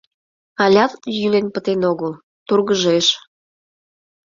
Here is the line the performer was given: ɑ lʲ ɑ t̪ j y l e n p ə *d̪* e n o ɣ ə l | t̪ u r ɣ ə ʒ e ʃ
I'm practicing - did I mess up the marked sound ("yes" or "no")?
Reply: yes